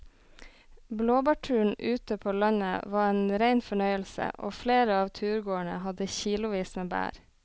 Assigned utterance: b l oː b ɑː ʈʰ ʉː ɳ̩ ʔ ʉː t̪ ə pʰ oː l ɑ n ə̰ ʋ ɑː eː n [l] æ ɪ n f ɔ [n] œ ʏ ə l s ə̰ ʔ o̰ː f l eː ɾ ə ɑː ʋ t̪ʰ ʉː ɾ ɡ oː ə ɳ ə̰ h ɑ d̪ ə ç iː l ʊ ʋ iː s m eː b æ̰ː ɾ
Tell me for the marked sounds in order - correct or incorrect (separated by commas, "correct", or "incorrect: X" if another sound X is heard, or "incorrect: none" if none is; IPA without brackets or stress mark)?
incorrect: ɾ, incorrect: ɳ